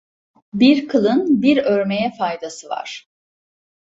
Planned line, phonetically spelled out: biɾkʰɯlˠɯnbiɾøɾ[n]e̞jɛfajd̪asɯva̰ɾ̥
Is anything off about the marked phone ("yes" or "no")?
yes